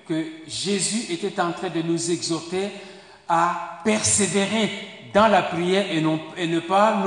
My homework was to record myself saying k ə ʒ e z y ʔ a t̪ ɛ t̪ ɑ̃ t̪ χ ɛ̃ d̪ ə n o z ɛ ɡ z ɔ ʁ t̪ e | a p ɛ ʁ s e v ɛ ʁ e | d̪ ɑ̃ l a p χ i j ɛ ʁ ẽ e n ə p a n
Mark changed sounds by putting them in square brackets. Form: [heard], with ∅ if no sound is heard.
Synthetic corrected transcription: k ə ʒ e z y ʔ [e] t̪ ɛ t̪ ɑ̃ t̪ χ ɛ̃ d̪ ə n [u] z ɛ ɡ z ɔ ʁ t̪ e | a p ɛ ʁ s e v [e] ʁ e | d̪ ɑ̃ l a p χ i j ɛ ʁ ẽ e n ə p a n